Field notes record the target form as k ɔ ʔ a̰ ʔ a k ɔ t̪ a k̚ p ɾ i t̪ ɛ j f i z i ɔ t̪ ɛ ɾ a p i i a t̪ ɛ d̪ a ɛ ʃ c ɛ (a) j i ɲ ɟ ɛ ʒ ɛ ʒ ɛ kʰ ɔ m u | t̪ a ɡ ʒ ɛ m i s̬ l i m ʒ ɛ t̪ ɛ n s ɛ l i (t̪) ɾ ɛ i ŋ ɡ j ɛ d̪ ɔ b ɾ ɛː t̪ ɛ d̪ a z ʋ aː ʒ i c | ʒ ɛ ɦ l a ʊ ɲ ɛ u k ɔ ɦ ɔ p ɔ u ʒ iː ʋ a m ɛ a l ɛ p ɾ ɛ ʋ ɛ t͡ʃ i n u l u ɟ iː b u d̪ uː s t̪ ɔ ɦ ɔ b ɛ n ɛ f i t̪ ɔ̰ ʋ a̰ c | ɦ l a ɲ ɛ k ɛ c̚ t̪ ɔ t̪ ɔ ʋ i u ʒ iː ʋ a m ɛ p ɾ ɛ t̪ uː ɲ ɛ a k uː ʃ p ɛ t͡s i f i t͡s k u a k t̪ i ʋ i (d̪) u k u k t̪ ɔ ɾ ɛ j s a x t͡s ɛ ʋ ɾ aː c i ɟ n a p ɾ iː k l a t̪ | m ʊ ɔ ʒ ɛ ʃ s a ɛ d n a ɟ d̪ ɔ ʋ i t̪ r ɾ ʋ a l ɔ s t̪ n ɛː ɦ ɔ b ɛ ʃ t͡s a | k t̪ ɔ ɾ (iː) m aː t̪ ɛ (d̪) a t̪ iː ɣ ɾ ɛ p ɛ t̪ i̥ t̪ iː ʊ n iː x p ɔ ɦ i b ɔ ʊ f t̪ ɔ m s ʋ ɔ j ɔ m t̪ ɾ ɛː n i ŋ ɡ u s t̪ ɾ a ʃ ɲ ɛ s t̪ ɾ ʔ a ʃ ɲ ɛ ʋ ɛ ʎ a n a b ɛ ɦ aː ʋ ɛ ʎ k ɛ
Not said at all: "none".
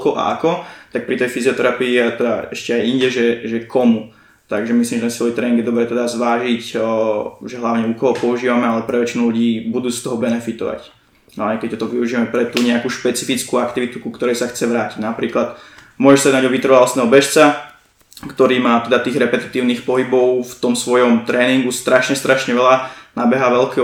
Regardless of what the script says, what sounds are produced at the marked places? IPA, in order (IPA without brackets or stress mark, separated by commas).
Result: a, t̪, t̪, iː, d̪